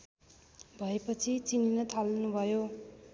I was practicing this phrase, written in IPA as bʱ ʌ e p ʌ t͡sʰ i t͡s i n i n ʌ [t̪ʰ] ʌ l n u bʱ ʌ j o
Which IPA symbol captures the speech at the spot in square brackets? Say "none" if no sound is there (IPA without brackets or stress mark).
t̪ʰ